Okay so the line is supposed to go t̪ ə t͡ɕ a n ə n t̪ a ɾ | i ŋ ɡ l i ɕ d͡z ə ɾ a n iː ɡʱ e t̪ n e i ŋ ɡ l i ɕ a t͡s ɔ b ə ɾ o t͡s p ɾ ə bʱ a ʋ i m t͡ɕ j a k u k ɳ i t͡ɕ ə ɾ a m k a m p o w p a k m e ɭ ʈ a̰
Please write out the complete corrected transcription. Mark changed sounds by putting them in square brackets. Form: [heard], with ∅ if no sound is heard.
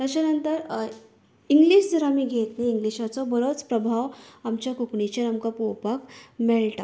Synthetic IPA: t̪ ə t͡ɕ a n ə n t̪ [ə] ɾ | i ŋ ɡ l i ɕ d͡z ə ɾ a [m] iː ɡʱ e t̪ n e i ŋ ɡ l i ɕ a t͡s ɔ b ə ɾ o t͡s p ɾ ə bʱ a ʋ [a] m t͡ɕ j a k u k ɳ i t͡ɕ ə ɾ a m k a [∅] p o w p a k m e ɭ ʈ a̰